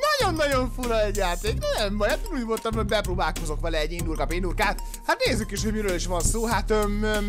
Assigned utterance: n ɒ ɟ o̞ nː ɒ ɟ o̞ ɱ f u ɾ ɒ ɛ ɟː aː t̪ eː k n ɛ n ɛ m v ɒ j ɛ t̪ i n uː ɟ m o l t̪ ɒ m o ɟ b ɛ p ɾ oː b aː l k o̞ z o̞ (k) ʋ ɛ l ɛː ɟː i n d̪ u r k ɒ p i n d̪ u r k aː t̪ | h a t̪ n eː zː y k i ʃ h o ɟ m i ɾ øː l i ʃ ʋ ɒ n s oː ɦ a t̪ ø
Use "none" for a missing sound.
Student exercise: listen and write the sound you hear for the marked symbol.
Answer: k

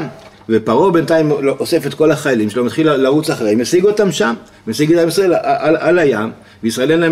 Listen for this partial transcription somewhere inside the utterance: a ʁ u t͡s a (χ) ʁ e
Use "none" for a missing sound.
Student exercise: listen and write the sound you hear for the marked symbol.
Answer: χ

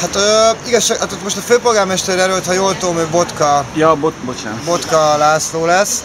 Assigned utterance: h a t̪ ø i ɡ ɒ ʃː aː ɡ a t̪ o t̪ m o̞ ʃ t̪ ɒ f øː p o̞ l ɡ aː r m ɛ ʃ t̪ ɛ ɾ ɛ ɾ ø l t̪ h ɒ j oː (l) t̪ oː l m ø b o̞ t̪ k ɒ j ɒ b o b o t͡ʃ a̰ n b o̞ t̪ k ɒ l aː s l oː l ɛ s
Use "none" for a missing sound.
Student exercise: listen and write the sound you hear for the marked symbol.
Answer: l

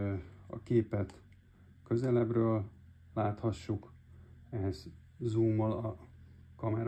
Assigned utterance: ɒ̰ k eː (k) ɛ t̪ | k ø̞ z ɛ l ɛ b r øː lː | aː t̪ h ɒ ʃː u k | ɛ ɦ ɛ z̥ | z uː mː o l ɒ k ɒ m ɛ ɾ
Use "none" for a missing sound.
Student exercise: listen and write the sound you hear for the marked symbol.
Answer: p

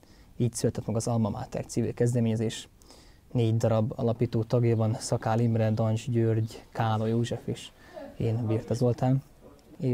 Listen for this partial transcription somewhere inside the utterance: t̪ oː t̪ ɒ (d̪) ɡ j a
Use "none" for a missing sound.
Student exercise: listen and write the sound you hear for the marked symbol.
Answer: none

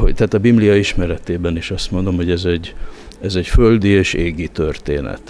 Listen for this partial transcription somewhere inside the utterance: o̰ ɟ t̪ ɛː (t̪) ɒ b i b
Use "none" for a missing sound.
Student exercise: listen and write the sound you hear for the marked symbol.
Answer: t̪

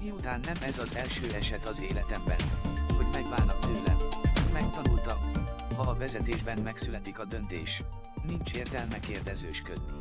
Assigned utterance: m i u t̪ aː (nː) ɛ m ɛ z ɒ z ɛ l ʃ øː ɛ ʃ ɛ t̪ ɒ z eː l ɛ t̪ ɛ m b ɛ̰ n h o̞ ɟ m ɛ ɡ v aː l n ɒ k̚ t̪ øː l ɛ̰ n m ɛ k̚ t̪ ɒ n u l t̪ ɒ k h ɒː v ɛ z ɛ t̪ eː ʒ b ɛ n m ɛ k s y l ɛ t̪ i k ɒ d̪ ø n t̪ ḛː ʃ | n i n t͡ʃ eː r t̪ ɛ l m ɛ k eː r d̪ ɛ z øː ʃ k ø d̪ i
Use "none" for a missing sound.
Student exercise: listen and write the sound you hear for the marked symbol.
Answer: nː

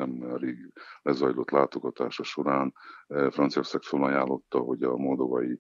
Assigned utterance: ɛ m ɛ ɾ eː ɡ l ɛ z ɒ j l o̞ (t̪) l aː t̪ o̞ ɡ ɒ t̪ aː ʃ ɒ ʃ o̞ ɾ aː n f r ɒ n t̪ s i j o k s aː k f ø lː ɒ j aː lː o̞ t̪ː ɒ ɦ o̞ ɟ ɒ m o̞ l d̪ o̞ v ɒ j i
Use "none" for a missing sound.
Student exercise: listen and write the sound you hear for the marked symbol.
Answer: t̪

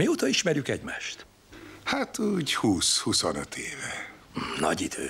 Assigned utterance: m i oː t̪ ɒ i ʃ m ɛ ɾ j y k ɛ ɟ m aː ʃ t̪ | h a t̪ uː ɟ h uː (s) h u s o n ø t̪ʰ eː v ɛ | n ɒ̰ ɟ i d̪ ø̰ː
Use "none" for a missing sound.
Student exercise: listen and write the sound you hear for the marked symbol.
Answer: s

